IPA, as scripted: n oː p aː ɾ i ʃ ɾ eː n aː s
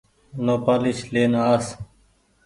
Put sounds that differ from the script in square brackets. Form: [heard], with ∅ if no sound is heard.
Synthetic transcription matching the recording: n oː p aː [l] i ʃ [l] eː n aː s